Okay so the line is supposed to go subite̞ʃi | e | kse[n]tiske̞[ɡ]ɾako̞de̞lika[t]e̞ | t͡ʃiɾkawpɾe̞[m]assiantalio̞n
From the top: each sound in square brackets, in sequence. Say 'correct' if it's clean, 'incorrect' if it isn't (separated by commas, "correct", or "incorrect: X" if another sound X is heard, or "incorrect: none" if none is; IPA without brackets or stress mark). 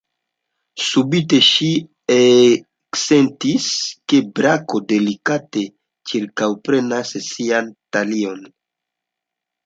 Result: correct, incorrect: b, correct, incorrect: n